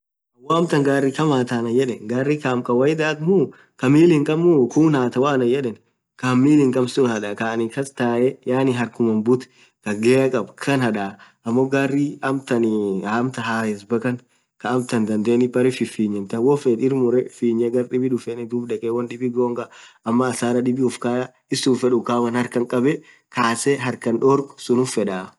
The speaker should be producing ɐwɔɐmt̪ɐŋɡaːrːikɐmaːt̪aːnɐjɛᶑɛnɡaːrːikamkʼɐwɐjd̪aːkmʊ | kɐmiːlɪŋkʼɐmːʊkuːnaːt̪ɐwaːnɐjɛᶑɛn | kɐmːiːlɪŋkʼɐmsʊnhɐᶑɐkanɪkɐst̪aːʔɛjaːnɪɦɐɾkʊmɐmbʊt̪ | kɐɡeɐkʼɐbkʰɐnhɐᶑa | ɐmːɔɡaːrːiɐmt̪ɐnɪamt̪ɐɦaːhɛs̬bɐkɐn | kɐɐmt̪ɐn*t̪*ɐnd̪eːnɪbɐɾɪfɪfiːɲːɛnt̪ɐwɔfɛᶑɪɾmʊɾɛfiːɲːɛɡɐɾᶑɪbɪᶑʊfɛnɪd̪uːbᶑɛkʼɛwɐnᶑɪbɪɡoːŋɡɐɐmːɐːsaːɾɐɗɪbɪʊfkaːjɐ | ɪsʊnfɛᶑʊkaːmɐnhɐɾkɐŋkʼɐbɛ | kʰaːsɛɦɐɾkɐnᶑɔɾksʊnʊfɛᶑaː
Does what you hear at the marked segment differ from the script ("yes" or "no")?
yes